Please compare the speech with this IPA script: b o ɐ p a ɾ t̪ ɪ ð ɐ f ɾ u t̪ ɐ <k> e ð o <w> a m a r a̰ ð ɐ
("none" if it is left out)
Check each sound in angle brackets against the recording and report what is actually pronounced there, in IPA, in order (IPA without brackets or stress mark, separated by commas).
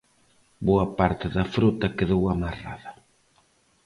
k, w